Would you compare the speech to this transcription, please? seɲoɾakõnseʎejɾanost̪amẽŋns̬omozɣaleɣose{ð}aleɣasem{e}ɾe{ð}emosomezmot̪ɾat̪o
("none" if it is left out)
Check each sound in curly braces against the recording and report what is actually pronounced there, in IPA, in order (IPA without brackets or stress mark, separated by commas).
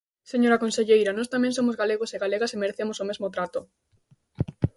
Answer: ɣ, e, θ